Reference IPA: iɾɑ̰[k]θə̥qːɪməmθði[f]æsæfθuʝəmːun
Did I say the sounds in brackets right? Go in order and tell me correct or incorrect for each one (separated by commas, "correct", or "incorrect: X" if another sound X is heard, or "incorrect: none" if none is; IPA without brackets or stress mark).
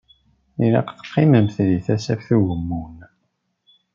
incorrect: q, incorrect: θ